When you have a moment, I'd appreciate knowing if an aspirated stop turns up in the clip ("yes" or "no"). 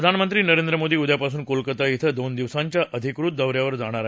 yes